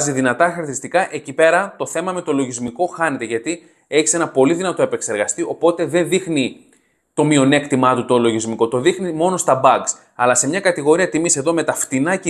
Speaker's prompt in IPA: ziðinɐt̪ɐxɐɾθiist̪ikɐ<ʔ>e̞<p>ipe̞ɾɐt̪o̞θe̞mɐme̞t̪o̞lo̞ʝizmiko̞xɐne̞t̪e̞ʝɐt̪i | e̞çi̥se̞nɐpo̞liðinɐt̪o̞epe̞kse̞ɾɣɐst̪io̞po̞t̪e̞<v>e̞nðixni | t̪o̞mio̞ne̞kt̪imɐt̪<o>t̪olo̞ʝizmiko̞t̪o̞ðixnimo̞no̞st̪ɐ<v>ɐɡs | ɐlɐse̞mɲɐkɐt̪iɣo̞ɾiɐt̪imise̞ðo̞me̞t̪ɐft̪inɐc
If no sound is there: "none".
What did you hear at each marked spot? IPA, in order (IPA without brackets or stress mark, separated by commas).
ʔ, c, ð, u, b